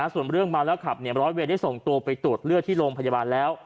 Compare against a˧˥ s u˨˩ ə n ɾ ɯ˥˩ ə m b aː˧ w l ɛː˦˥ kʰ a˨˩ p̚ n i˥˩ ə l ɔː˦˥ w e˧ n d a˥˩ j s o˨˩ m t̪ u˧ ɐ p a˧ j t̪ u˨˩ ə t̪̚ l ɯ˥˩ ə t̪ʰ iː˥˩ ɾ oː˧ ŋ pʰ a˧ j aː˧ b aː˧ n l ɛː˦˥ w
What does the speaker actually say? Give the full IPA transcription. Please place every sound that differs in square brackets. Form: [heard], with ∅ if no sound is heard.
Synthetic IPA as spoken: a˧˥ s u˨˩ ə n ɾ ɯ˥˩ ə [ŋ] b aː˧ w l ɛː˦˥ kʰ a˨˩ p̚ n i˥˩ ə [ɾ] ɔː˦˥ w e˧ n d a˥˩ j s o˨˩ [ŋ] t̪ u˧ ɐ p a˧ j t̪ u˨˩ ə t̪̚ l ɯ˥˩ ə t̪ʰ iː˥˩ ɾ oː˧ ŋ pʰ a˧ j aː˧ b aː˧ n l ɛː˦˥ w